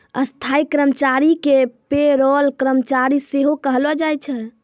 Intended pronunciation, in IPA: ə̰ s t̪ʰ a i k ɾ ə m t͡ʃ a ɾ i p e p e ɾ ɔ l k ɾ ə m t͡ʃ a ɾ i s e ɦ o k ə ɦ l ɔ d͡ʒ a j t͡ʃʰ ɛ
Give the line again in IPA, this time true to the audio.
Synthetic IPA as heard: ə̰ s t̪ʰ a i k ɾ ə m t͡ʃ a ɾ i k e p e ɾ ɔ l k ɾ ə m t͡ʃ a ɾ i s e ɦ o k ə ɦ l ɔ d͡ʒ a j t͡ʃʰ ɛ